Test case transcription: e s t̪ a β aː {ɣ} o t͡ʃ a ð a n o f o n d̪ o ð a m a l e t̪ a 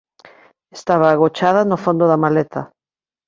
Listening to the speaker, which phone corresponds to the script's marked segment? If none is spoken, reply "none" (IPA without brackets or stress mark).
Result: ɣ